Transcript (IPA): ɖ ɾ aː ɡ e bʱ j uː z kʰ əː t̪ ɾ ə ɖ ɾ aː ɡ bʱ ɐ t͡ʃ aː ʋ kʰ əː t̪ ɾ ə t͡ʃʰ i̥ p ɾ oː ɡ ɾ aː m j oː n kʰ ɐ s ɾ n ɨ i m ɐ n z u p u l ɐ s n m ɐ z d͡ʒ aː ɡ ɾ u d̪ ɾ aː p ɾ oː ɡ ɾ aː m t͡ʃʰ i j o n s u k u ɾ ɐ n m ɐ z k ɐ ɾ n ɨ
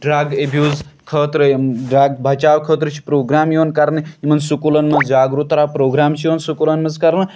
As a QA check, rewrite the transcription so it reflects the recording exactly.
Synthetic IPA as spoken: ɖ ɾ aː ɡ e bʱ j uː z kʰ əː t̪ ɾ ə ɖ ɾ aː ɡ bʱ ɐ t͡ʃ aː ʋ kʰ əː t̪ ɾ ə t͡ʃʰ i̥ p ɾ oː ɡ ɾ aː m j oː n k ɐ ɾ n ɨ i m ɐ n s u k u l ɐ n m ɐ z d͡ʒ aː ɡ ɾ u t̪ ɾ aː p ɾ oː ɡ ɾ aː m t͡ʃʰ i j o n s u k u l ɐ n m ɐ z k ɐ ɾ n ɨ